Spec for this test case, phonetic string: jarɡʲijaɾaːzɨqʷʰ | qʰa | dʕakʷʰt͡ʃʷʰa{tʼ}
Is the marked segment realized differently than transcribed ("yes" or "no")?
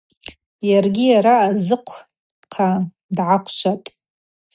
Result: no